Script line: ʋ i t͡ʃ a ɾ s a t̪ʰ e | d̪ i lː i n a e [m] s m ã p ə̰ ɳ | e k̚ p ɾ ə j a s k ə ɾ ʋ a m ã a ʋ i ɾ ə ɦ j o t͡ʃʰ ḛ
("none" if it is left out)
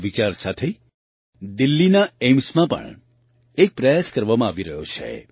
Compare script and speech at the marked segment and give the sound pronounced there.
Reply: m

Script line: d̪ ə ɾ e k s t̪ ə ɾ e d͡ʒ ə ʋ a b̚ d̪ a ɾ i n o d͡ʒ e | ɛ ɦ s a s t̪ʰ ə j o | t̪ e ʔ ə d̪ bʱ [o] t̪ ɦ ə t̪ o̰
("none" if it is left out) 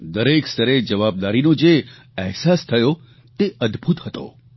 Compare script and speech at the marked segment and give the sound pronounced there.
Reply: u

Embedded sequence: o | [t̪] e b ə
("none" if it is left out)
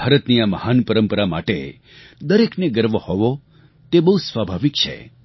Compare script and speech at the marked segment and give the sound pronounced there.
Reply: t̪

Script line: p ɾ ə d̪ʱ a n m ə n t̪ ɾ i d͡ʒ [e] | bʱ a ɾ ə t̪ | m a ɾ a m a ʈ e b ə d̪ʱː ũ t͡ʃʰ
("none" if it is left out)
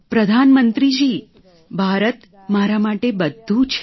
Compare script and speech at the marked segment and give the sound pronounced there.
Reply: i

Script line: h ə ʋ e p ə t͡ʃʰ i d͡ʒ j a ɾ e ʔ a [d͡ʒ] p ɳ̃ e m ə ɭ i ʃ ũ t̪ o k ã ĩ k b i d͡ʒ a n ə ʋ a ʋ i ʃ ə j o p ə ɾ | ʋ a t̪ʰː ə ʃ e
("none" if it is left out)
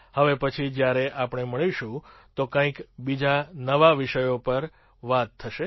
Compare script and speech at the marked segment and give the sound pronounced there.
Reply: none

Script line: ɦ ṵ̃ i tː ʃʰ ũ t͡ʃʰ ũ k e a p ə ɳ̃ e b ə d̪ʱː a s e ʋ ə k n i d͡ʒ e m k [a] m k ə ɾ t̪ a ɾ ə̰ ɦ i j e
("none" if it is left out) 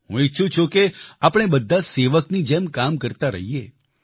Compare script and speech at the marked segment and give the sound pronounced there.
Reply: a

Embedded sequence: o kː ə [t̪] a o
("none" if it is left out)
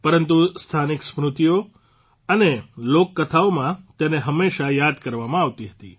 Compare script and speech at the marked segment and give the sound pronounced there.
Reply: t̪ʰ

